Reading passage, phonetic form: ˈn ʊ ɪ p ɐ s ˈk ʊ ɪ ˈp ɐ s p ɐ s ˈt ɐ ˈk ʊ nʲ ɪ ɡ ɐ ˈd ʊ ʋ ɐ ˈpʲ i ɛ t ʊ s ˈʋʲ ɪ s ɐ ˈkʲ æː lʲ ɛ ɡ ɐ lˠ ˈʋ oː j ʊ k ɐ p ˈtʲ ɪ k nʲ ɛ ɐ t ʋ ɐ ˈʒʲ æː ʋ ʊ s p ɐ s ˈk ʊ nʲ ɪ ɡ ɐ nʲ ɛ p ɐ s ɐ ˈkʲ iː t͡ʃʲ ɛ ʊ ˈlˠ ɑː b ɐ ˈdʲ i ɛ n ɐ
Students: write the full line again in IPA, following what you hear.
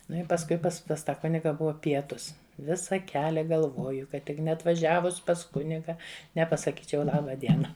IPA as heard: ˈn ʊ ɪ p ɐ s ˈk ʊ ɪ ˈp ɐ s p ɐ s ˈt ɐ ˈk ʊ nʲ ɪ ɡ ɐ ˈb ʊ ʋ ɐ ˈpʲ i ɛ t ʊ s ˈʋʲ ɪ s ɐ ˈkʲ æː lʲ ɛ ɡ ɐ lˠ ˈʋ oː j ʊ k ɐ t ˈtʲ ɪ k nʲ ɛ ɐ t ʋ ɐ ˈʒʲ æː ʋ ʊ s p ɐ s ˈk ʊ nʲ ɪ ɡ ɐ nʲ ɛ p ɐ s ɐ ˈkʲ iː t͡ʃʲ ɛ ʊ ˈlˠ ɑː b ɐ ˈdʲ i ɛ n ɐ